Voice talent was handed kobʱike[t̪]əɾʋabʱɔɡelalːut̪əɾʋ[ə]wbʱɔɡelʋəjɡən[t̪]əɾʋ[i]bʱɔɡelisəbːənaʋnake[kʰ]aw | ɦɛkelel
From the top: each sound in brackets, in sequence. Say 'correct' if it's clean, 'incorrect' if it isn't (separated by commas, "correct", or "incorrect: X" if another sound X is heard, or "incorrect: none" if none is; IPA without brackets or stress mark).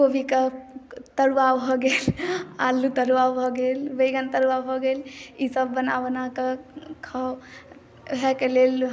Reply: correct, incorrect: a, correct, incorrect: a, correct